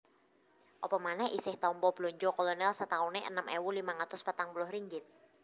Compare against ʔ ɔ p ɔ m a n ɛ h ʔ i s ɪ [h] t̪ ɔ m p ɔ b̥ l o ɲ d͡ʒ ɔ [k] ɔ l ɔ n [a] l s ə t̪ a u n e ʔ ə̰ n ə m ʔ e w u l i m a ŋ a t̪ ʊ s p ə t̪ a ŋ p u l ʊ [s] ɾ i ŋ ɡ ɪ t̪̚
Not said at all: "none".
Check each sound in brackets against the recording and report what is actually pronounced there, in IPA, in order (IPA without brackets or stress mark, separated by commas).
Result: h, k, ɛ, h